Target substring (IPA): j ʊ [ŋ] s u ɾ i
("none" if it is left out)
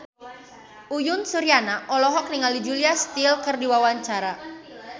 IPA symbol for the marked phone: n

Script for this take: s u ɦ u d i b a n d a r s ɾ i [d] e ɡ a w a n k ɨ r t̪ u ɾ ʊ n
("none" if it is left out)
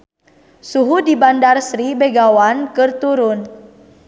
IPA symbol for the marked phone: b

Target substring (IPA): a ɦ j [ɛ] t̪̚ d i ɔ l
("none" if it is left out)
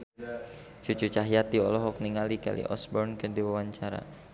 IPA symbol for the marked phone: a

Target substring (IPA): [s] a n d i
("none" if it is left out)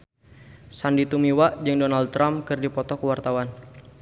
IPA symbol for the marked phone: s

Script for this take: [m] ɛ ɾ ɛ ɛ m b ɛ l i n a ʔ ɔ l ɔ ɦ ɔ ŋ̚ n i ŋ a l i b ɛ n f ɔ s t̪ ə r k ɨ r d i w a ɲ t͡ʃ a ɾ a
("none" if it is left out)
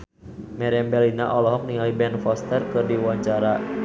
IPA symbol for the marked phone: m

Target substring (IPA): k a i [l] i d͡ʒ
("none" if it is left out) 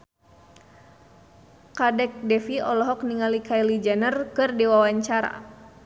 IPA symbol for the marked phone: l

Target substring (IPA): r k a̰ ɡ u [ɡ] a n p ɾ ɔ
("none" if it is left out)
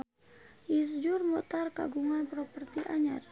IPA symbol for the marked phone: ŋ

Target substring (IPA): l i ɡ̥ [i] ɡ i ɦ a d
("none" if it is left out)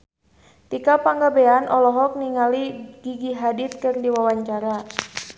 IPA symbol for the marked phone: i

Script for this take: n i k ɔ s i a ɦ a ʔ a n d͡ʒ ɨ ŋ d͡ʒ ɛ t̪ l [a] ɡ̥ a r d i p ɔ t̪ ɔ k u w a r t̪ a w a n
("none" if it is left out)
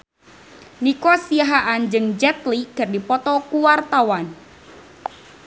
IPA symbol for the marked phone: i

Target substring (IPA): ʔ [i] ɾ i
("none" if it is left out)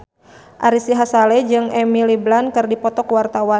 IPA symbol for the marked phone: a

